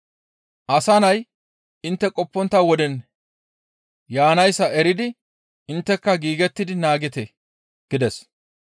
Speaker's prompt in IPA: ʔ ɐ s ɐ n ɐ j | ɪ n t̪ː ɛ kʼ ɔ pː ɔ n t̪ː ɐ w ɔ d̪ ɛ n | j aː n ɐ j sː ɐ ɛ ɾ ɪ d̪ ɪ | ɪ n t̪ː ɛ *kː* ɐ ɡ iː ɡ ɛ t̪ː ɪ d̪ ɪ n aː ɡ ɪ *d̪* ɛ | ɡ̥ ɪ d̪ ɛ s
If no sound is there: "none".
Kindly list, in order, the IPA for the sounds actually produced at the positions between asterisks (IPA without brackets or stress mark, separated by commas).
kː, t̪